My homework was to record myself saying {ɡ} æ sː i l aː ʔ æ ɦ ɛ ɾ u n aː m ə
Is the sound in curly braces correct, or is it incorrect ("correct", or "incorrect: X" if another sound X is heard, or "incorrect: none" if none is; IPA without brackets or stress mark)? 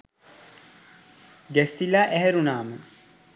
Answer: correct